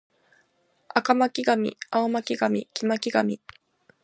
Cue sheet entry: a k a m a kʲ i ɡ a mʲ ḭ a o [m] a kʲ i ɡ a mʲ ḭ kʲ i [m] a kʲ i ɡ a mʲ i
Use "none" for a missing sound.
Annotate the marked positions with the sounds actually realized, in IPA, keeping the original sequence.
m, m

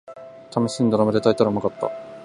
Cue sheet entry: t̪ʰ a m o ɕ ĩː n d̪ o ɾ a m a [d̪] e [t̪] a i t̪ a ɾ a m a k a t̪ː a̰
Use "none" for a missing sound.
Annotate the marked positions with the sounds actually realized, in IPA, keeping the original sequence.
d̪, t̪

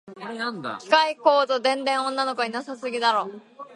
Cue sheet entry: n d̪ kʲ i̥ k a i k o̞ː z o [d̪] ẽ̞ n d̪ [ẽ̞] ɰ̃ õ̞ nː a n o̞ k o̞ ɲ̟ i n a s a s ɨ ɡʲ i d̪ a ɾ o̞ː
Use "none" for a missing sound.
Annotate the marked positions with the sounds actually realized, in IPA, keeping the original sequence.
d̪, ẽ̞

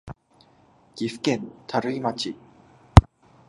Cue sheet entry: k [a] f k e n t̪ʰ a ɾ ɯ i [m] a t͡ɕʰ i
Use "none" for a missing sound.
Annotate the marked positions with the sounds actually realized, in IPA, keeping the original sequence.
i, m

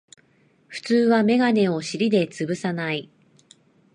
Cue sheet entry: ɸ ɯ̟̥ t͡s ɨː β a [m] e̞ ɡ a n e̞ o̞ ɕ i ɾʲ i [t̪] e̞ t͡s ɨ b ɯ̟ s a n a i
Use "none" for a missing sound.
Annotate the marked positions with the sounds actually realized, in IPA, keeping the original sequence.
m, d̪

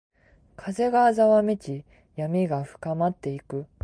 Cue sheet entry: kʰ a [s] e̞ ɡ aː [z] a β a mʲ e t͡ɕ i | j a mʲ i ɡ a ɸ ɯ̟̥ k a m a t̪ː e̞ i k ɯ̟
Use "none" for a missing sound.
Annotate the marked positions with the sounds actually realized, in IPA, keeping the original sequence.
z, z

